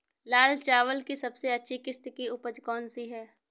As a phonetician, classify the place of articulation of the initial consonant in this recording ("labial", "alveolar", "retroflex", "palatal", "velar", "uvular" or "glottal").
alveolar